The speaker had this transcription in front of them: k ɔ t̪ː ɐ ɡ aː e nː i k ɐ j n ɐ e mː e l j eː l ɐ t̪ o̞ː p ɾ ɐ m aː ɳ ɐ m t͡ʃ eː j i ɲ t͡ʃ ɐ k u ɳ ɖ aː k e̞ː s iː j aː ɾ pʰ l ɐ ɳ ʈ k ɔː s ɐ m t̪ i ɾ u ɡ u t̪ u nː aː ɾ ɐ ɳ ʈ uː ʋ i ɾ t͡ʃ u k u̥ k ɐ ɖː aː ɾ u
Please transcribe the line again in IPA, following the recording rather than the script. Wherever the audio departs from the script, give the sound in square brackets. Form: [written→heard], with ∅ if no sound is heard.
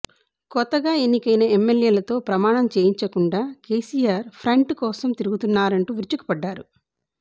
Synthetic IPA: k ɔ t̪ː ɐ ɡ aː e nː i k ɐ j n ɐ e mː e l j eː l ɐ t̪ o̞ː p ɾ ɐ m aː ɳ ɐ m t͡ʃ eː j i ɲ t͡ʃ ɐ k u ɳ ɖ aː k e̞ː s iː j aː ɾ pʰ [l→ɾ] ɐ ɳ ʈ k ɔː s ɐ m t̪ i ɾ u ɡ u t̪ u nː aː ɾ ɐ ɳ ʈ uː ʋ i ɾ t͡ʃ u k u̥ [k→p] ɐ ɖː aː ɾ u

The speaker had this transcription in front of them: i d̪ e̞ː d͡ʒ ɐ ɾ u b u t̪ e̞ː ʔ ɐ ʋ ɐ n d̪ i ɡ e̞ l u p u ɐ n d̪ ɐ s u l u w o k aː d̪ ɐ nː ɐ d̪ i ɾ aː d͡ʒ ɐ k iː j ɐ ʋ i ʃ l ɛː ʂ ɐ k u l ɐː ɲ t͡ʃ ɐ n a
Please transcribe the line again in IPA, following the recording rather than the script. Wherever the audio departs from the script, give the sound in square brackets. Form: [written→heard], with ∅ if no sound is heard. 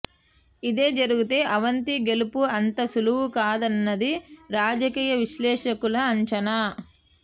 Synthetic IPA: i d̪ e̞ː d͡ʒ ɐ ɾ u [b→ɡ] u t̪ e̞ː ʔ ɐ ʋ ɐ n [d̪→t̪] i ɡ e̞ l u p u ɐ n [d̪→t̪] ɐ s u l u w [o→u] k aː d̪ ɐ nː ɐ d̪ i ɾ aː d͡ʒ ɐ k iː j ɐ ʋ i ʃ l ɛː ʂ ɐ k u l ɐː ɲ t͡ʃ ɐ n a

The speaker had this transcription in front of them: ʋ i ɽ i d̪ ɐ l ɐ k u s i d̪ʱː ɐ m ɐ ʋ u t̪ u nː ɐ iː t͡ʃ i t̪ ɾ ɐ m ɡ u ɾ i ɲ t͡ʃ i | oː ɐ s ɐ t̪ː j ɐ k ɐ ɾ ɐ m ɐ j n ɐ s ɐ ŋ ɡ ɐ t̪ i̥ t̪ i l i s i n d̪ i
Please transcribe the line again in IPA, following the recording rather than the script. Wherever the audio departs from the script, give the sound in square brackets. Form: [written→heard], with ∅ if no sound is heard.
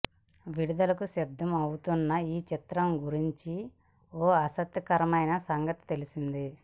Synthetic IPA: ʋ i ɽ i d̪ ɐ l ɐ k u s i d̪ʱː ɐ m ɐ [ʋ→w] u t̪ u nː ɐ iː t͡ʃ i t̪ ɾ ɐ m ɡ u ɾ i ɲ t͡ʃ i | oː ɐ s ɐ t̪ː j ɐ k ɐ ɾ ɐ m ɐ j n ɐ s ɐ ŋ ɡ ɐ t̪ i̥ t̪ [i→e] l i s i n d̪ i

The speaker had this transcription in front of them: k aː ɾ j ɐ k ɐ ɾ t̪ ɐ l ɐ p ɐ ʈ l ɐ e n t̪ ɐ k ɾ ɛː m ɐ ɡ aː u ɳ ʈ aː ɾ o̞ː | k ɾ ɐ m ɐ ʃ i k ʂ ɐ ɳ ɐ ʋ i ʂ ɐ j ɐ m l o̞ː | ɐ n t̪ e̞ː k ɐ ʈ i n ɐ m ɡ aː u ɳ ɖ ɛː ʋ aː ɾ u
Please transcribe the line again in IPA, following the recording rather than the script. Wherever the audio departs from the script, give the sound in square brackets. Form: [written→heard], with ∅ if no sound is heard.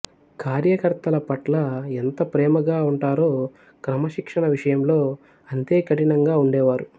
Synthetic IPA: k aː ɾ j ɐ k ɐ ɾ t̪ ɐ l ɐ p ɐ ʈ l ɐ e n t̪ ɐ [k→p] ɾ ɛː m ɐ ɡ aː u ɳ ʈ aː ɾ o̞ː | k ɾ ɐ m ɐ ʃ i k ʂ ɐ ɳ ɐ ʋ i ʂ ɐ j ɐ m l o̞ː | ɐ n t̪ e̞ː k ɐ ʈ i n ɐ [m→ŋ] ɡ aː u ɳ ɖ ɛː ʋ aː ɾ u

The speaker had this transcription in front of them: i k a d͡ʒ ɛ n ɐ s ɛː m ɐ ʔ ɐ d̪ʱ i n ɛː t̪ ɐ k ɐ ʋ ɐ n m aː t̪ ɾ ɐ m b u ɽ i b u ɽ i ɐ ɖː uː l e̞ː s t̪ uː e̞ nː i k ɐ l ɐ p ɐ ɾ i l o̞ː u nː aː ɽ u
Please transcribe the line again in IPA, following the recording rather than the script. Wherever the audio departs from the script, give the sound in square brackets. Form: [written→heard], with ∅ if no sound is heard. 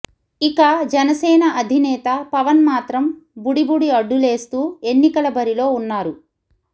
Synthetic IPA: i k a d͡ʒ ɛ n ɐ s ɛː [m→n] ɐ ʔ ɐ d̪ʱ i n ɛː t̪ ɐ [k→p] ɐ ʋ ɐ n m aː t̪ ɾ ɐ m b u ɽ i b u ɽ i ɐ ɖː [uː→u] l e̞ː s t̪ uː e̞ nː i k ɐ l ɐ [p→b] ɐ ɾ i l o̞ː u nː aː [ɽ→ɾ] u

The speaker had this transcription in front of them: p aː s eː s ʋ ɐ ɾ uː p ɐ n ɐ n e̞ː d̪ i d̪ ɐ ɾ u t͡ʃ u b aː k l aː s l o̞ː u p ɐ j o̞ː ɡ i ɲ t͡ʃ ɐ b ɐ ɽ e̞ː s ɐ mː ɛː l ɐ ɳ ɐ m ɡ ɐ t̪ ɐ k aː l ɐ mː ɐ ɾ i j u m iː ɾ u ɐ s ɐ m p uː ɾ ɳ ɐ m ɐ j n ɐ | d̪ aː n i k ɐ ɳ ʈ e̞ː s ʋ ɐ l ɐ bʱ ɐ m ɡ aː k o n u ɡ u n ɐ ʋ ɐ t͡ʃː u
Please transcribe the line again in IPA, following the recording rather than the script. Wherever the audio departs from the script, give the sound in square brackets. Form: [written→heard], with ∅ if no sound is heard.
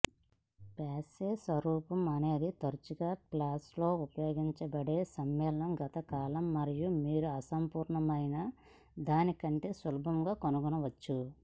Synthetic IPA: p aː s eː s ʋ ɐ ɾ uː p ɐ [n→m] ɐ n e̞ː d̪ i [d̪→t̪] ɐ ɾ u t͡ʃ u [b→ɡ] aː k l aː s l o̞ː u p ɐ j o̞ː ɡ i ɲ t͡ʃ ɐ b ɐ ɽ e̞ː s ɐ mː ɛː l ɐ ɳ ɐ m ɡ ɐ t̪ ɐ k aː l ɐ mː ɐ ɾ i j u m iː ɾ u ɐ s ɐ m p uː ɾ ɳ ɐ m ɐ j n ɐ | d̪ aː n i k ɐ ɳ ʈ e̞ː s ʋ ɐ l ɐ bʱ ɐ m ɡ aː k o n u ɡ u n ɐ ʋ ɐ t͡ʃː u

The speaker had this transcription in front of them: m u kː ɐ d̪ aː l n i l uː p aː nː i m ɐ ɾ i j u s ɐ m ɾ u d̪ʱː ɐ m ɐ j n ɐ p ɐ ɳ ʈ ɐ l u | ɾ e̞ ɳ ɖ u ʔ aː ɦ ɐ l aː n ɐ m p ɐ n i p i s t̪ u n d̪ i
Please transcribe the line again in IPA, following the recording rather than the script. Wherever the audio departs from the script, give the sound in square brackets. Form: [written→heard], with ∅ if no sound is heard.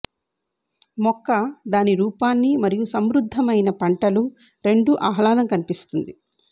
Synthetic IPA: m [u→ɔ] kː ɐ d̪ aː [l→∅] n i [l→ɾ] uː p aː nː i m ɐ ɾ i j u s ɐ m ɾ u d̪ʱː ɐ m ɐ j n ɐ p ɐ ɳ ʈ ɐ l u | ɾ e̞ ɳ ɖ u ʔ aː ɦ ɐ l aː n ɐ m [p→k] ɐ n i p i s t̪ u n d̪ i

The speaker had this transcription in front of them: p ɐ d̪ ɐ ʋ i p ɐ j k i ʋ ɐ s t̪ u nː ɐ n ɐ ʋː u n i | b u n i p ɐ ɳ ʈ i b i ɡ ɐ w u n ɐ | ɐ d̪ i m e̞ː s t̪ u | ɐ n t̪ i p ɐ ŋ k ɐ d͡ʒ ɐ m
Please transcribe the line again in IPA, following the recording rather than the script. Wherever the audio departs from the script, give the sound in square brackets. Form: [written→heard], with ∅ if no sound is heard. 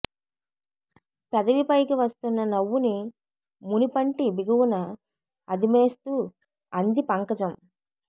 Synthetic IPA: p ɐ d̪ ɐ ʋ i p ɐ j k i ʋ ɐ s t̪ u nː ɐ n ɐ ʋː u n i | [b→m] u n i p ɐ ɳ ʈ i b i ɡ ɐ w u n ɐ | ɐ d̪ i m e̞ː s t̪ u | ɐ n [t̪→d̪] i p ɐ ŋ k ɐ d͡ʒ ɐ m

